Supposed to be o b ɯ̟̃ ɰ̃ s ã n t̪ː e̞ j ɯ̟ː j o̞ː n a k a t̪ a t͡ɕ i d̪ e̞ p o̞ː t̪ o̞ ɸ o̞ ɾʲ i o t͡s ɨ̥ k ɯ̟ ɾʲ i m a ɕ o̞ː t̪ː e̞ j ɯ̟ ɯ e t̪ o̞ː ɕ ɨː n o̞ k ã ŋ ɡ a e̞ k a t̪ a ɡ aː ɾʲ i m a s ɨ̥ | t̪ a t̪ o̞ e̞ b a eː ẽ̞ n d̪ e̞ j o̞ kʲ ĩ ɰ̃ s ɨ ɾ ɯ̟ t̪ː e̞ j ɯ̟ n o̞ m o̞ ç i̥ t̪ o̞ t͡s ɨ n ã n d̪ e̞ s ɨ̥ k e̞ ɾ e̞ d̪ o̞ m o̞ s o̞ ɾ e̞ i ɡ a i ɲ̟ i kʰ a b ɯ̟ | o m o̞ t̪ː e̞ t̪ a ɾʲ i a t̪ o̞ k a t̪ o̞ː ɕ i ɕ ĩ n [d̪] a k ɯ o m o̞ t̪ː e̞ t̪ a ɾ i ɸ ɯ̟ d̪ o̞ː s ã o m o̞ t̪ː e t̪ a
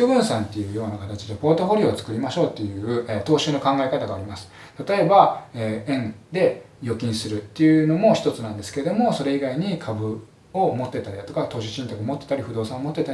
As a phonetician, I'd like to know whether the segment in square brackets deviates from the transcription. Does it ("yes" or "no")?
yes